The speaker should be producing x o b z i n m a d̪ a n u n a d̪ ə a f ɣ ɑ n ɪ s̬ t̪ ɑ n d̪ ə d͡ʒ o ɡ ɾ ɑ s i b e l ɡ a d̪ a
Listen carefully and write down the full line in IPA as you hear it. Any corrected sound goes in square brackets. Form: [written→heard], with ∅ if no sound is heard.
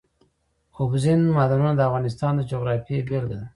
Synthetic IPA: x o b z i n m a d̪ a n u n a d̪ ə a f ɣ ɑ n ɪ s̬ t̪ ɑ n d̪ ə d͡ʒ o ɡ ɾ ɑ [s→f] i b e l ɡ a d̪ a